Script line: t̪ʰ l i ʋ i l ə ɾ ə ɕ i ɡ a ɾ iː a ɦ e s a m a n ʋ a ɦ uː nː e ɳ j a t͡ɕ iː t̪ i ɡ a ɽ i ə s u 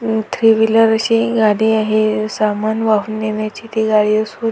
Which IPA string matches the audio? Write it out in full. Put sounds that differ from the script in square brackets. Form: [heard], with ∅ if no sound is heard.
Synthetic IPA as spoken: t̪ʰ [ɾ] i ʋ i l ə ɾ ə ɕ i ɡ a [ɽ] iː a ɦ e s a m a n ʋ a ɦ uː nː e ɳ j a t͡ɕ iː t̪ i ɡ a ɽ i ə s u

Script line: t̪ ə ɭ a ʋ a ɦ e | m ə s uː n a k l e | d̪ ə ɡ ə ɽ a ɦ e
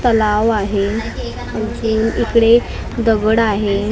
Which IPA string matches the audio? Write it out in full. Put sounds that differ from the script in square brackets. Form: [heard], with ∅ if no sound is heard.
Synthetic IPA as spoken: t̪ ə [l] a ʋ a ɦ e | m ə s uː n [i] k [ɽ] e | d̪ ə ɡ ə ɽ a ɦ e

